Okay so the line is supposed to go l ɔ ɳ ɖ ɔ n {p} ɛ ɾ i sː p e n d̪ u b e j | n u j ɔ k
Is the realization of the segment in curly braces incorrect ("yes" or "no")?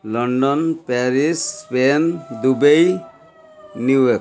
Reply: no